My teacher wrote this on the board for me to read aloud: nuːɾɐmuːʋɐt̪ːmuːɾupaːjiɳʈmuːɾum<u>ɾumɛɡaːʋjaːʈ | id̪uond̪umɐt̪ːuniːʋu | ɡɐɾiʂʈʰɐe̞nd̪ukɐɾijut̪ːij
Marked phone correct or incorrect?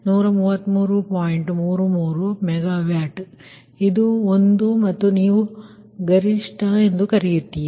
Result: incorrect